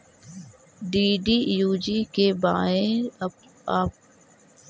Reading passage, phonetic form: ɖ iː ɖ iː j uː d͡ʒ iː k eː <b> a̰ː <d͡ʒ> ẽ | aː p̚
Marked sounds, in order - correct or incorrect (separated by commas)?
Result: correct, incorrect